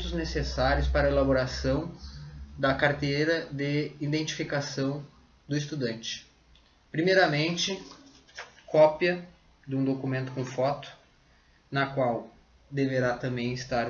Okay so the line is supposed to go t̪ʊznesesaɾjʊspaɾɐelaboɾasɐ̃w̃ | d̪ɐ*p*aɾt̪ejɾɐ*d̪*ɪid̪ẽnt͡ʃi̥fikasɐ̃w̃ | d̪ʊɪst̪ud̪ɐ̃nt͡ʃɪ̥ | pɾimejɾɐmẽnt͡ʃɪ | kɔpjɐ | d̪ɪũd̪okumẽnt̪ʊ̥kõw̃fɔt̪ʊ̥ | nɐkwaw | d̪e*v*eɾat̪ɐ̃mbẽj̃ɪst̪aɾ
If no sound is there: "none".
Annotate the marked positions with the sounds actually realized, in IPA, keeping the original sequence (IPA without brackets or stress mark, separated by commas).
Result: k, d̪, v